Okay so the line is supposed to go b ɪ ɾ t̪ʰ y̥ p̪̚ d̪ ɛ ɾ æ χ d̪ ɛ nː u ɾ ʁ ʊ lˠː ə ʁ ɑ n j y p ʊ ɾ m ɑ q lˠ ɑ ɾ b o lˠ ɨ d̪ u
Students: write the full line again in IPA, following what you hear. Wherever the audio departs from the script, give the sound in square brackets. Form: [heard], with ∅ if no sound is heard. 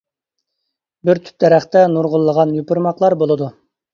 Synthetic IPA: b ɪ ɾ t̪ʰ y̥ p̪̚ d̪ ɛ ɾ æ χ [t̪] ɛ [n] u ɾ ʁ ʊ lˠː ə ʁ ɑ n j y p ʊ ɾ m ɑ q lˠ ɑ ɾ b o lˠ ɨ d̪ u